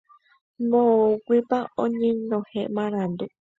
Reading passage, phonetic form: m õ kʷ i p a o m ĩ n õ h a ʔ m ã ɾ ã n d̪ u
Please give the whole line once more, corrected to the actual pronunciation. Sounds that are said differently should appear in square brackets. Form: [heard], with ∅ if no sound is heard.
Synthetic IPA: m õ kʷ i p a o [ɲ] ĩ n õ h [e] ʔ m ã ɾ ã n d̪ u